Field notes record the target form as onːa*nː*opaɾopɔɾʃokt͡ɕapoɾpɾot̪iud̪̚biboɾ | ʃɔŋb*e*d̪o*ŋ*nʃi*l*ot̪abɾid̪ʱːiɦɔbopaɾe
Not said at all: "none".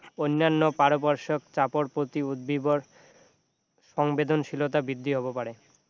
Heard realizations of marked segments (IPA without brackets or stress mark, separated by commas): nː, e, none, l